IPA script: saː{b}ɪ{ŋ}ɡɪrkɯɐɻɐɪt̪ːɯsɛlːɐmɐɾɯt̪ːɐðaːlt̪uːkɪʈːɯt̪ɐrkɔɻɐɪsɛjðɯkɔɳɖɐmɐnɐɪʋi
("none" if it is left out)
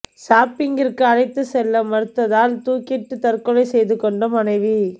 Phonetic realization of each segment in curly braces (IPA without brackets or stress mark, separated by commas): p, ŋ